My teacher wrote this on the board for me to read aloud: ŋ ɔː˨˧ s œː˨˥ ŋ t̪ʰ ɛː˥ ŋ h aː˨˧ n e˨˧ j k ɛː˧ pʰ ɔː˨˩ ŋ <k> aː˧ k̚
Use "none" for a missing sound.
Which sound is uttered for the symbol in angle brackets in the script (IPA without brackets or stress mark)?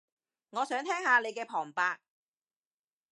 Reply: p